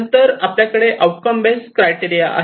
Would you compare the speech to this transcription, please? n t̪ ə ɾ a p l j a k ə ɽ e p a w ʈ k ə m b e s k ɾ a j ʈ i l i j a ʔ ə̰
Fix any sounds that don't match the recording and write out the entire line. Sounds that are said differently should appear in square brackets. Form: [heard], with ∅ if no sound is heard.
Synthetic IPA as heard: n t̪ ə ɾ a p l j a k ə ɽ e [ʔ] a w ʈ k ə m b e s k ɾ a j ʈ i [ɾ] i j a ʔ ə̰